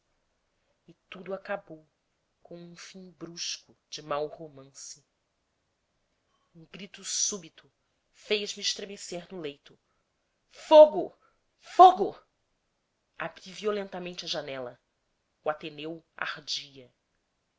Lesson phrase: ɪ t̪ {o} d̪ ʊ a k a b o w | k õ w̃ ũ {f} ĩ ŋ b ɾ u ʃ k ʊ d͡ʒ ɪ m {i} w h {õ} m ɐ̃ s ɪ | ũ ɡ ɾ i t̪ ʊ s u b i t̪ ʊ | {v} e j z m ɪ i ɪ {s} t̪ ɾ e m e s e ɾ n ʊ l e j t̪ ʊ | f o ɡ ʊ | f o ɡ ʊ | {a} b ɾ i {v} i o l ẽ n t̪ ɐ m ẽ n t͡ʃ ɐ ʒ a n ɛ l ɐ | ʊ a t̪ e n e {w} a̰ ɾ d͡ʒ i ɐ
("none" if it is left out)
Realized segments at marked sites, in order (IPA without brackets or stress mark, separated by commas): u, f, a, o, f, ʃ, a, v, w